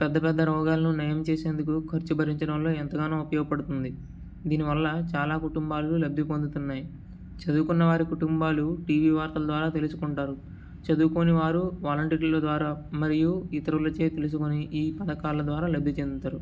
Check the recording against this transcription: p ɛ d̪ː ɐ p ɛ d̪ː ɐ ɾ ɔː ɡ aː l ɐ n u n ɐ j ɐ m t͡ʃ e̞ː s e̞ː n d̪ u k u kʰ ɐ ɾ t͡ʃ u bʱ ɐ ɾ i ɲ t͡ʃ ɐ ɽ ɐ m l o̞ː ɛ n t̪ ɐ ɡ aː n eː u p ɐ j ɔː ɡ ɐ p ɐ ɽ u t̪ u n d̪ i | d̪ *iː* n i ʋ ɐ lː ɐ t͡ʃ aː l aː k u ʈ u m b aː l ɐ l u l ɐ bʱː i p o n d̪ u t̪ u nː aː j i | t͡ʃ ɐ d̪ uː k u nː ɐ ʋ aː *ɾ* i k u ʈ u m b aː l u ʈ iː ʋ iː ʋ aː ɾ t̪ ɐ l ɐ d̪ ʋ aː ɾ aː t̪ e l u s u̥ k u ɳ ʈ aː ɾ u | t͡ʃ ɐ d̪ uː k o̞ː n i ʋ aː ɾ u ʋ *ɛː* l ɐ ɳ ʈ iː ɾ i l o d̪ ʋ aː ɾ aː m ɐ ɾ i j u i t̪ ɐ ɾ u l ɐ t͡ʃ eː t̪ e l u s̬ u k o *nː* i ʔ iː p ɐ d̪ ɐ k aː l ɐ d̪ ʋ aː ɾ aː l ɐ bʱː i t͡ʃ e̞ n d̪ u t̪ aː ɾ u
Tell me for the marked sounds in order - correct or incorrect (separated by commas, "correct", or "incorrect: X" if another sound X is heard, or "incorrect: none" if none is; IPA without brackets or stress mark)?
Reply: correct, correct, incorrect: aː, incorrect: n